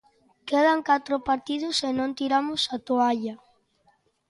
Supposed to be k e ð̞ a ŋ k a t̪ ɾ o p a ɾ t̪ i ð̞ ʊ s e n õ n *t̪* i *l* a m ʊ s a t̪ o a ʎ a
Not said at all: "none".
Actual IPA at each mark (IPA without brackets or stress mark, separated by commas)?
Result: t̪, ɾ